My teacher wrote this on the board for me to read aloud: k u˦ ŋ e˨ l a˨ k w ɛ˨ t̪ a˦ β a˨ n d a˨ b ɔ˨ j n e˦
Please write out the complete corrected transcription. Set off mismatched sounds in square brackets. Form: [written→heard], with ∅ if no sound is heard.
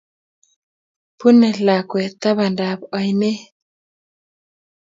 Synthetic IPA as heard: [k→p] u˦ [ŋ→n] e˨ l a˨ k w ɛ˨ t̪ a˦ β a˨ n d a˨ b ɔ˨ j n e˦